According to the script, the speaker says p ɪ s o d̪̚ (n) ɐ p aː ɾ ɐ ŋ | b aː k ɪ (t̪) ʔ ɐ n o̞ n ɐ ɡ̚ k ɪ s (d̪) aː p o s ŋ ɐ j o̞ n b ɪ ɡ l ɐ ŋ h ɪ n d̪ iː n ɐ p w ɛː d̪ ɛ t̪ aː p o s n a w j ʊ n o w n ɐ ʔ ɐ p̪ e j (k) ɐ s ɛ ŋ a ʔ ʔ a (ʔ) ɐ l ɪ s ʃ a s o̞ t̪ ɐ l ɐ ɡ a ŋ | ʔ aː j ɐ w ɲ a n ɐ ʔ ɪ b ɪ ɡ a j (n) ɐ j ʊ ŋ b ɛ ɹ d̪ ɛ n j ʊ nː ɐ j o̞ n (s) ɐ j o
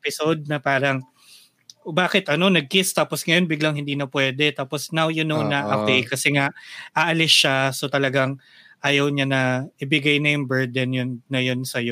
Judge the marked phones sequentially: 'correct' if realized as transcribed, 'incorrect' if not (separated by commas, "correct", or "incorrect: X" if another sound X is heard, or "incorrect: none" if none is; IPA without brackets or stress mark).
correct, correct, incorrect: t̪, correct, correct, correct, correct